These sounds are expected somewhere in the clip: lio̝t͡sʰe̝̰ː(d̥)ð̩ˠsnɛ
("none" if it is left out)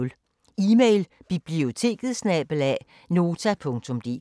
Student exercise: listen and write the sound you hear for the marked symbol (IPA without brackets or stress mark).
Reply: ɡ̥